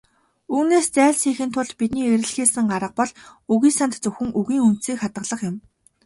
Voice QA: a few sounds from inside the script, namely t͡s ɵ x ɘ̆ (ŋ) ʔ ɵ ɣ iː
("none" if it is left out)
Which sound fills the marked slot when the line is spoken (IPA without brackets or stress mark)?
ŋ